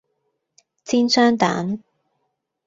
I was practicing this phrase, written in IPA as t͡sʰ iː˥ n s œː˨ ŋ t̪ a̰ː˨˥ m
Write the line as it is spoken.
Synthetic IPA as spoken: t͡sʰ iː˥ n s œː˥ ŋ t̪ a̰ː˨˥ n